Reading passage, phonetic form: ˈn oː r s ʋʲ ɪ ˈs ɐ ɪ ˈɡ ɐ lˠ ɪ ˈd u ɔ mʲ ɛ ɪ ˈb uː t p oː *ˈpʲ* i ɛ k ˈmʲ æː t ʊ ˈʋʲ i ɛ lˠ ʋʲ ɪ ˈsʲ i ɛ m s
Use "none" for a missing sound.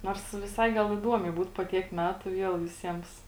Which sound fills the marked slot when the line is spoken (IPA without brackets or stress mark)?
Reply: tʲ